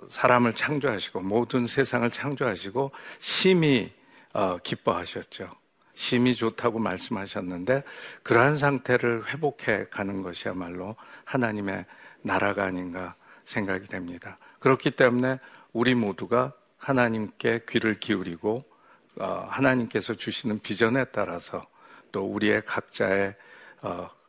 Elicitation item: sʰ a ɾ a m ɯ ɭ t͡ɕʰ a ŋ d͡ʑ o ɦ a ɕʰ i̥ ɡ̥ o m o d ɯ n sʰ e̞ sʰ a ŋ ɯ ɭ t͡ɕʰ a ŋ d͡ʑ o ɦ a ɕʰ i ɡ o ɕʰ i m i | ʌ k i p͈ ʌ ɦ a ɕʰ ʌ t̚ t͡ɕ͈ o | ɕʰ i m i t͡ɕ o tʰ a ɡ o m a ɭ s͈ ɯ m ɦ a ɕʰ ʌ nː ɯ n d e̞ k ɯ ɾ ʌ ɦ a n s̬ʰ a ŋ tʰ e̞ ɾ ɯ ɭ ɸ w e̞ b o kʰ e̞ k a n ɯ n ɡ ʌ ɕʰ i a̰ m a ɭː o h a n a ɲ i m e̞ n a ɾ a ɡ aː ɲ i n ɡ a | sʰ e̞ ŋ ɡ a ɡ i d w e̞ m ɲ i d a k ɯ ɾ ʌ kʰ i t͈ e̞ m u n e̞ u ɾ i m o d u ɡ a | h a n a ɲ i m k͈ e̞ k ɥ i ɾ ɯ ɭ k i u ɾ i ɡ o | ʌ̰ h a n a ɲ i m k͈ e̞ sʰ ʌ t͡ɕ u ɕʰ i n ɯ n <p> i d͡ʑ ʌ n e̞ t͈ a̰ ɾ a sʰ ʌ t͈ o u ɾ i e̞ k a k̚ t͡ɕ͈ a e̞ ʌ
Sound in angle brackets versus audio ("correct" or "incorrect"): correct